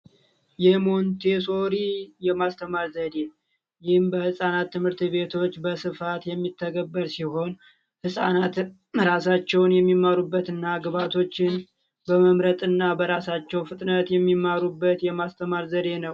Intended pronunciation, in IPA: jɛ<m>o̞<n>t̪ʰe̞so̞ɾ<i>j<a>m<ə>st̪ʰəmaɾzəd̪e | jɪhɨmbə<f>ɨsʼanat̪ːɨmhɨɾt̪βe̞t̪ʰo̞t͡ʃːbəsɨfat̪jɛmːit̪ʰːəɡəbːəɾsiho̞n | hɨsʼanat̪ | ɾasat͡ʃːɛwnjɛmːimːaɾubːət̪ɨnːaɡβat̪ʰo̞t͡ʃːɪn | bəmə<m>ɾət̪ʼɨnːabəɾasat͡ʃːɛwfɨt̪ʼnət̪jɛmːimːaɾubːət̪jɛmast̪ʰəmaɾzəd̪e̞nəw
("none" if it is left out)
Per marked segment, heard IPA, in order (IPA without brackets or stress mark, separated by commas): m, n, i, ɛ, a, h, m